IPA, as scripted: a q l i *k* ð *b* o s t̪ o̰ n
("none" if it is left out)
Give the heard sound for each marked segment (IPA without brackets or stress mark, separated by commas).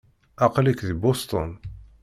k, b